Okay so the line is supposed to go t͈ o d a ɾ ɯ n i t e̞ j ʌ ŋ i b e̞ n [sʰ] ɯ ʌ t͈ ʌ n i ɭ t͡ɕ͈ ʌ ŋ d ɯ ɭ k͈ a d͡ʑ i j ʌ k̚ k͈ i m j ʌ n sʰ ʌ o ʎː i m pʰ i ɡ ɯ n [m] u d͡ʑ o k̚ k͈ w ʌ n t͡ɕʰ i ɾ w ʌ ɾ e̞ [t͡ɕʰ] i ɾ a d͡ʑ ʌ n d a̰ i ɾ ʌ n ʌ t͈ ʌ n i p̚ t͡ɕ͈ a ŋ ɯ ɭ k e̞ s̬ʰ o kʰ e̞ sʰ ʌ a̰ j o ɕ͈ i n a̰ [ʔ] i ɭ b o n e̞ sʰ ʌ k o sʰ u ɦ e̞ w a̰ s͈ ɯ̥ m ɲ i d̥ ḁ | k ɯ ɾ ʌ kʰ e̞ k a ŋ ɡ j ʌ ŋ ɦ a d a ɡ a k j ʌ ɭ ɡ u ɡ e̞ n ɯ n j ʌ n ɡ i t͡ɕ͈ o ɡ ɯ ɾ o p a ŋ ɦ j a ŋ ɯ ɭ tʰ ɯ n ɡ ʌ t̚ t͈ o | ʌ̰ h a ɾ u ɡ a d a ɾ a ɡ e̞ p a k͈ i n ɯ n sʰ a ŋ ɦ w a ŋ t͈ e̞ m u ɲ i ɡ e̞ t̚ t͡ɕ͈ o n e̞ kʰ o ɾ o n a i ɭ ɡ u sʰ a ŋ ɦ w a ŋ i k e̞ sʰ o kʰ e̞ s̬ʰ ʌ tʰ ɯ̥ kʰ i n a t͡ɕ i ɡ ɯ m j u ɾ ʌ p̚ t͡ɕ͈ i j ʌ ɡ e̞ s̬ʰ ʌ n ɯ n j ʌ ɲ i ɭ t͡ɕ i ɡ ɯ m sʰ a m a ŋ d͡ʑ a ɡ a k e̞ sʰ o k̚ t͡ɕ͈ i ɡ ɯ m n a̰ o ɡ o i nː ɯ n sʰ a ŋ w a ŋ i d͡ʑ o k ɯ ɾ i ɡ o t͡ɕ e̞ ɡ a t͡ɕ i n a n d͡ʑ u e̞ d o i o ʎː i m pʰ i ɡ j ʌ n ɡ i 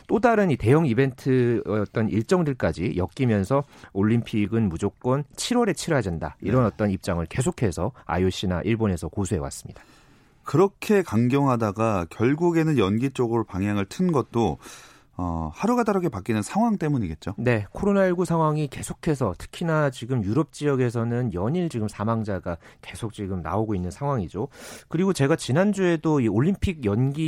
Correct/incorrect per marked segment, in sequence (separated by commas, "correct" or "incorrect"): incorrect, correct, correct, correct